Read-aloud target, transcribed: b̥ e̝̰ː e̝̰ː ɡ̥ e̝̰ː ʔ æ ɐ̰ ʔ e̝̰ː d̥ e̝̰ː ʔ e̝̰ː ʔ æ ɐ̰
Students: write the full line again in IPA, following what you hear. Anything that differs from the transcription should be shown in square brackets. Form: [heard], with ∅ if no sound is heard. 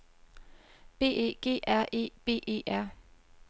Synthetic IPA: b̥ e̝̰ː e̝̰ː ɡ̥ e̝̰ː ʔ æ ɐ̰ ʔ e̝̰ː [b̥] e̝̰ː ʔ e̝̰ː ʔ æ ɐ̰